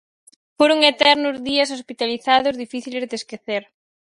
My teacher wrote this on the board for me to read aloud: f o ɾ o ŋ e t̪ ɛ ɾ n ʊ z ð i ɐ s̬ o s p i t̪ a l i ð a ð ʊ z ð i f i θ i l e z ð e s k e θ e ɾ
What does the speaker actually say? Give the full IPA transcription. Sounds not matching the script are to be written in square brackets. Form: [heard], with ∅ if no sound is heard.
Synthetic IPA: f o ɾ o ŋ e t̪ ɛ ɾ n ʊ z ð i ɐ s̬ o s p i t̪ a l i [θ] a ð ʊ z ð i f i θ i l e z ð e s k e θ e ɾ